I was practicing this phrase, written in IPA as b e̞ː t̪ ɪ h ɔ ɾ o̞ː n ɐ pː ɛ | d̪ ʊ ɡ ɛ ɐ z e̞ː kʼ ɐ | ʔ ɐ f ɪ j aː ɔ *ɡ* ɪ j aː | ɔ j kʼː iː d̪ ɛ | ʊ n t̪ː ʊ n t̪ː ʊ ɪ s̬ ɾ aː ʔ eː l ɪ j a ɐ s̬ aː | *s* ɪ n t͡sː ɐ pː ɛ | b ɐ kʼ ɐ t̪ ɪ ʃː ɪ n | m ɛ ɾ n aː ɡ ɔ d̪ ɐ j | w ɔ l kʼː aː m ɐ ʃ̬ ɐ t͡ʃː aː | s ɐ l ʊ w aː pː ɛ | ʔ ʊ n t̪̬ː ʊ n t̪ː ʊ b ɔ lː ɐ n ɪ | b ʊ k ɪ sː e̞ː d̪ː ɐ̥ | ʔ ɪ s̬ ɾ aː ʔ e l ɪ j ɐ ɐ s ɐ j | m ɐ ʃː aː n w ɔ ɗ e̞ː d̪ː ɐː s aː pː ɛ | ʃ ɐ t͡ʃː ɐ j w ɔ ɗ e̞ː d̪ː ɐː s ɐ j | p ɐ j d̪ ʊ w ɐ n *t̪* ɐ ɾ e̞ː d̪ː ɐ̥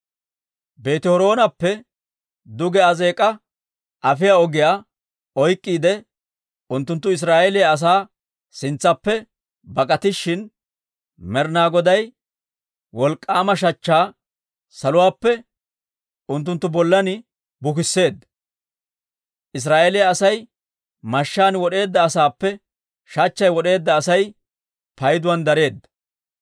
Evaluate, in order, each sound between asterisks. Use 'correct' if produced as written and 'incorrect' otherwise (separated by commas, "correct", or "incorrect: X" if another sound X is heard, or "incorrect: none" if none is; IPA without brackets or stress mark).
correct, correct, incorrect: d̪